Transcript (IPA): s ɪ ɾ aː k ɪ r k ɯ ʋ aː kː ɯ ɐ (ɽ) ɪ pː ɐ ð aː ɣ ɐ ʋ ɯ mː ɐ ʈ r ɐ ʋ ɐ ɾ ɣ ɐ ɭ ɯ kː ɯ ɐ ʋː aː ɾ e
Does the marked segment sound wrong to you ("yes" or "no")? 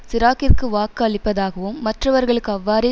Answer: yes